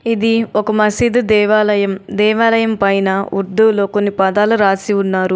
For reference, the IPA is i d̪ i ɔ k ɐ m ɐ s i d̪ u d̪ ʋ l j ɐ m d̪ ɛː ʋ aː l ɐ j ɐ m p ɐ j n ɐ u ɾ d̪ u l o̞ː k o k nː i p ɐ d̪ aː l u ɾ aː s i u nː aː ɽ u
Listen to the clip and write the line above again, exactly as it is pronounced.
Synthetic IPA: i d̪ i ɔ k ɐ m ɐ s i d̪ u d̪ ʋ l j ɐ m d̪ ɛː ʋ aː l ɐ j ɐ m p ɐ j n ɐ u ɾ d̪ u l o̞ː k o nː i p ɐ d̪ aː l u ɾ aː s i u nː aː ɾ u